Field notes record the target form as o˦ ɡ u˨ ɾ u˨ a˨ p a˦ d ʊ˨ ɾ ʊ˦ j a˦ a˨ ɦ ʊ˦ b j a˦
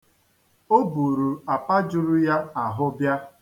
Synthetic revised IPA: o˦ b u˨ ɾ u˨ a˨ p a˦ d͡ʒ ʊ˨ ɾ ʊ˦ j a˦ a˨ ɦ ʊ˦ b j a˦